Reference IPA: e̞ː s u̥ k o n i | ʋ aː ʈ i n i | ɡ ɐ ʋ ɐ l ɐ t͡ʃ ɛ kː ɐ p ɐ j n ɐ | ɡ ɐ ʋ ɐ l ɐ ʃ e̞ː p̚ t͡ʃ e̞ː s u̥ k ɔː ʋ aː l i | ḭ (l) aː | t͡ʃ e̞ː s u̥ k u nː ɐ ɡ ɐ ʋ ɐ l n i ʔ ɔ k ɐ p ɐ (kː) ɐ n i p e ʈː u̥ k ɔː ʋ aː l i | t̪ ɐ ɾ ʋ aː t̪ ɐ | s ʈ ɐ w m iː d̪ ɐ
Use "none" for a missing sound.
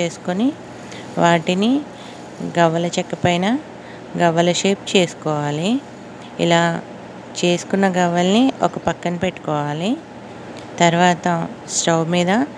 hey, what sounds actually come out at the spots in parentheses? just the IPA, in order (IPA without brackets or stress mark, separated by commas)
l, kː